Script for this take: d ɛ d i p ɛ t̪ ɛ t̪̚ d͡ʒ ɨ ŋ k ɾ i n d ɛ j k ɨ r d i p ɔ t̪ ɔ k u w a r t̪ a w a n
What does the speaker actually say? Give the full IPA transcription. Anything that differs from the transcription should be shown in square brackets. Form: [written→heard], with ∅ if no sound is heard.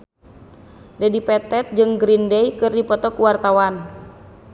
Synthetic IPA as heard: d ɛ d i p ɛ t̪ ɛ t̪̚ d͡ʒ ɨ ŋ [k→ɡ] ɾ i n d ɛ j k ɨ r d i p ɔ t̪ ɔ k u w a r t̪ a w a n